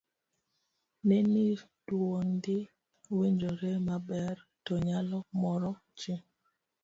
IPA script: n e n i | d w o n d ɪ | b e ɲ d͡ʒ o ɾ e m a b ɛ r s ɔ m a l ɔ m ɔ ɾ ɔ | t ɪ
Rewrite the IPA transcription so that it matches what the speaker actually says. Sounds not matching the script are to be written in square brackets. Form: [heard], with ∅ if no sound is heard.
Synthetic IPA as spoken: n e n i | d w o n d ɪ | [w] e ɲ d͡ʒ o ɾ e m a b ɛ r [t] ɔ [ɲ] a l ɔ m ɔ ɾ ɔ | [t͡ʃ] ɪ

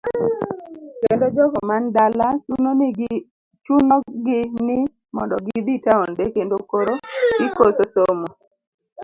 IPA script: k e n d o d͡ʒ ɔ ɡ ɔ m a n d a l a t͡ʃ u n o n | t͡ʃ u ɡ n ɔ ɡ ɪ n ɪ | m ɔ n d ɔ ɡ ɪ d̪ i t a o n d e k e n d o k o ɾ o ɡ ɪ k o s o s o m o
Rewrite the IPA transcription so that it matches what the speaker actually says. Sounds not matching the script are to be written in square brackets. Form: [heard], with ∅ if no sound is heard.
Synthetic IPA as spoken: k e n d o d͡ʒ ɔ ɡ ɔ m a n d a l a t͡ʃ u n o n | t͡ʃ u [∅] n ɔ ɡ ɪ n ɪ | m ɔ n d ɔ ɡ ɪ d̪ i t a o n d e k e n d o k o ɾ o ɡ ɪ k o s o s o m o

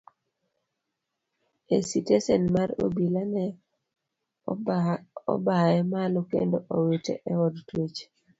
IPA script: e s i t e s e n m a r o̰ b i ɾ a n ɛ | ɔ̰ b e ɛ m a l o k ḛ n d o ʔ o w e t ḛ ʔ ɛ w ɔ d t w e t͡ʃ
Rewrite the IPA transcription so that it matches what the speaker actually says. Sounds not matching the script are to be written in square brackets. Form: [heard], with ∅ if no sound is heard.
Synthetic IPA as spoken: e s i t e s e n m a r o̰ b i [l] a n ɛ | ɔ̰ b [a] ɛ m a l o k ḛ n d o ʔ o w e t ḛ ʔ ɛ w ɔ d t w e t͡ʃ

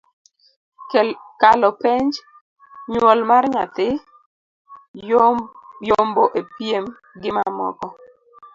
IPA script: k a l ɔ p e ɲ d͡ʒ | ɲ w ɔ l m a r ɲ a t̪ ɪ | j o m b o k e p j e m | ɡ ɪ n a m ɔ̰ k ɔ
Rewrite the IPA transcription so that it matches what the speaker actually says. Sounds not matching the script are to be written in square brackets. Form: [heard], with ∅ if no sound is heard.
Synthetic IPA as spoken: k a l ɔ p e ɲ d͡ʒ | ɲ w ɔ l m a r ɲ a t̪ ɪ | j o m b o [ʔ] e p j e m | ɡ ɪ [m] a m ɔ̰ k ɔ

